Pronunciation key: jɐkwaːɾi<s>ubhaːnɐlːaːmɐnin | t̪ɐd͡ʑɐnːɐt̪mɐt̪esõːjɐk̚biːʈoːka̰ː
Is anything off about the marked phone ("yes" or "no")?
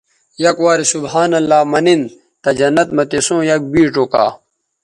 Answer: no